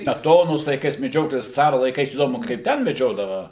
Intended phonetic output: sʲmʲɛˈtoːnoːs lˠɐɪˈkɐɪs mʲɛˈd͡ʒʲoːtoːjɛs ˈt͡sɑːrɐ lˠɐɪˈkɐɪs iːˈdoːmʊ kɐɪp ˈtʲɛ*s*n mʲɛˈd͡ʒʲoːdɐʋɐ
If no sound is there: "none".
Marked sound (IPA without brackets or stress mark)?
none